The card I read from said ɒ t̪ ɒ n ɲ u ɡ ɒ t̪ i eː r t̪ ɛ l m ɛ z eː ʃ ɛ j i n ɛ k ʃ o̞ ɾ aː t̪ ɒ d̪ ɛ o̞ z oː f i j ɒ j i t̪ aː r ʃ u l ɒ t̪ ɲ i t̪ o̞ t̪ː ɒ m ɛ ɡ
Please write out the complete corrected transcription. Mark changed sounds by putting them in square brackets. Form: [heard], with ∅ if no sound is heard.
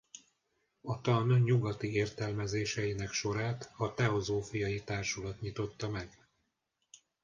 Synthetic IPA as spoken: ɒ t̪ ɒ n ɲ u ɡ ɒ t̪ i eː r t̪ ɛ l m ɛ z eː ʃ ɛ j i n ɛ k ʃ o̞ ɾ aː t̪ ɒ [t̪] ɛ o̞ z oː f i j ɒ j i t̪ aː r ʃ u l ɒ t̪ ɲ i t̪ o̞ t̪ː ɒ m ɛ ɡ